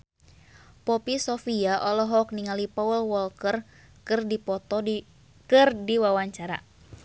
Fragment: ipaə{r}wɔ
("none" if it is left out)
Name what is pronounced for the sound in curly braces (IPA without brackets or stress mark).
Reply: l